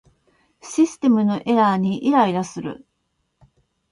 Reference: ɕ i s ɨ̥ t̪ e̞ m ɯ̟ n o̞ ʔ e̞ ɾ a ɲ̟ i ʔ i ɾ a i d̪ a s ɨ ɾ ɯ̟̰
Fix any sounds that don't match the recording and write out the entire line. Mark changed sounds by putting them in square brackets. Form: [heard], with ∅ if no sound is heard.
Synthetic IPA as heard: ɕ i s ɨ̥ t̪ e̞ m ɯ̟ n o̞ ʔ e̞ ɾ a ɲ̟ i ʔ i ɾ a i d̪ a s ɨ ɾ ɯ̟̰